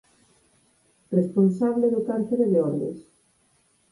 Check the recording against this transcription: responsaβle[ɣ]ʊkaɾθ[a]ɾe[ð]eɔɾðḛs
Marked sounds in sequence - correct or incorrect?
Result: incorrect: ð, incorrect: e, correct

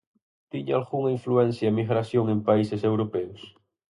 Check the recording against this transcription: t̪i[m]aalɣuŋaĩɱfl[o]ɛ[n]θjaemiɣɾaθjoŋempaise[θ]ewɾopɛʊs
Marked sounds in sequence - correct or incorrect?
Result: incorrect: ɲ, incorrect: u, correct, incorrect: s

